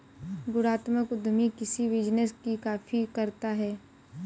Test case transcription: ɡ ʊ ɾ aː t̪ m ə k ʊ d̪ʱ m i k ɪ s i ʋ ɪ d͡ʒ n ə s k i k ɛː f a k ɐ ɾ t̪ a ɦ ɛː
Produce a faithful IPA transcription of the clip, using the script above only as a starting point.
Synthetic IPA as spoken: ɡ ʊ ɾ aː t̪ m ə k ʊ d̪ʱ m i k ɪ s i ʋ ɪ d͡ʒ n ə s k i k aː f i k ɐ ɾ t̪ a ɦ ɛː